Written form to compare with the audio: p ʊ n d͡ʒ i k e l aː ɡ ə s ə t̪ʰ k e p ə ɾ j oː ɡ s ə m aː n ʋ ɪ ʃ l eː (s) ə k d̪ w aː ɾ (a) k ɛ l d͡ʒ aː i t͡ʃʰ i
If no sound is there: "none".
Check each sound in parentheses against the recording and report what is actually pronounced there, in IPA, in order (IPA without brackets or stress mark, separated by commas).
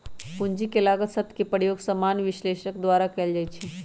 ʃ, a